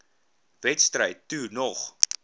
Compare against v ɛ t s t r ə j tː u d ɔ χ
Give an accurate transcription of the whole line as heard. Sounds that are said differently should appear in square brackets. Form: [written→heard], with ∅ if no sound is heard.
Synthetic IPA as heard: v ɛ t s t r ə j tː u [d→n] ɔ χ